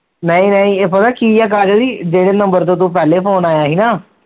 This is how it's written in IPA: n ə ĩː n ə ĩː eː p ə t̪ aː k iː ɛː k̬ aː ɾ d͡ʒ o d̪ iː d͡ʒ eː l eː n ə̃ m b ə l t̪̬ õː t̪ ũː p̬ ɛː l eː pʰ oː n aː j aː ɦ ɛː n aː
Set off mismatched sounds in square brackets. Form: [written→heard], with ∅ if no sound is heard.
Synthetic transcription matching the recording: n ə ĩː n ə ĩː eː p ə t̪ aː k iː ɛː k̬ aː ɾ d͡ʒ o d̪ iː d͡ʒ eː [l→ɽ] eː n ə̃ m b ə [l→ɾ] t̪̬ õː t̪ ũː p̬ ɛː l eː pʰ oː n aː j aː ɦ [ɛː→iː] n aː